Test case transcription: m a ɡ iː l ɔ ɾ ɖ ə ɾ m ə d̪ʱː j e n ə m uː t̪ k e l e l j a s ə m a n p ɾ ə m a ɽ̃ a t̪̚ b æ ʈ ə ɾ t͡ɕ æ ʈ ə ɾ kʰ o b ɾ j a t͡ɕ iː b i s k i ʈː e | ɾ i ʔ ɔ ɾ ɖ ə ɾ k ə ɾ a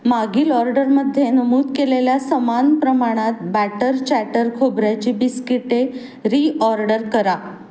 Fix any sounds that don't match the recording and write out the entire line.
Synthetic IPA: m a ɡ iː l ɔ ɾ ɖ ə ɾ m ə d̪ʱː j e n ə m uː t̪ k e l e l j a s ə m a n p ɾ ə m a ɽ̃ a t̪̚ b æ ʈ ə ɾ t͡ɕ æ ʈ ə ɾ kʰ o b ɾ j a t͡ɕ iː b i s k i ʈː e | ɾ i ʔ ɔ ɾ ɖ ə ɾ k ə ɾ a